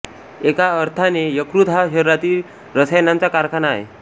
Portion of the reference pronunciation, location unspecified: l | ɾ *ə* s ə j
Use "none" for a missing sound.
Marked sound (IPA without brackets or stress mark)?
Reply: ə